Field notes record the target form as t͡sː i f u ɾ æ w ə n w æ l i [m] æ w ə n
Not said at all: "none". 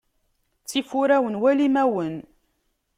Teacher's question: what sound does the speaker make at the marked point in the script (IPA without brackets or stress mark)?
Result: m